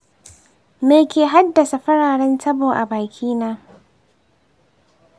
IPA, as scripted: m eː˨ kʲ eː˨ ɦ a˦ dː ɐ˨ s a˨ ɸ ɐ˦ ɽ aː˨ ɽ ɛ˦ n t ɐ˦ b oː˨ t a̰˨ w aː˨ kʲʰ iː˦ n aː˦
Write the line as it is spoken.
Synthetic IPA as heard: m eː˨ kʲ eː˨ ɦ a˦ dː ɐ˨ s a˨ ɸ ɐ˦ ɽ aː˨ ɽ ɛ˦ n t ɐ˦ b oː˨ ʔ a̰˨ b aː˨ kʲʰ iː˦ n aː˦